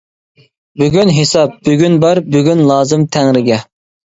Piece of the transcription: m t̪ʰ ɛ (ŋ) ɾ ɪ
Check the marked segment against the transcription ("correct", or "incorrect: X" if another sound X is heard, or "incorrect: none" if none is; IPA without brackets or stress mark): correct